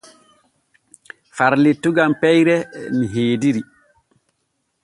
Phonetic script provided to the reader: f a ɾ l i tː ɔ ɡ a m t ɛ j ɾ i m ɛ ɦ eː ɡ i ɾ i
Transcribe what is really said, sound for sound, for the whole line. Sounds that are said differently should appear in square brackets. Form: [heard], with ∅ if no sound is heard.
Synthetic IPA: f a ɾ l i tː [u] ɡ a m [p] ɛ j ɾ [ɛ] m [i] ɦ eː [d] i ɾ i